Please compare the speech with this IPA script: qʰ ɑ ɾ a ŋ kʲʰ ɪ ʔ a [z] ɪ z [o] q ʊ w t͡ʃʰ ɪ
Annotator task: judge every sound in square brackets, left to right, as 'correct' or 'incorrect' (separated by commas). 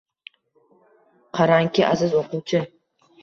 correct, correct